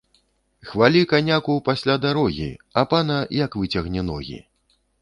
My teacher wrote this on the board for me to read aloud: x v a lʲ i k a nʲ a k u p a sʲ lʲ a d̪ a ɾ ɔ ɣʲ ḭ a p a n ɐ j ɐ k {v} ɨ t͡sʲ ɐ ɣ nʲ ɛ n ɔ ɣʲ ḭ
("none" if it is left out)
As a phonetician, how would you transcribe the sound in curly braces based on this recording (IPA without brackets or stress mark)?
v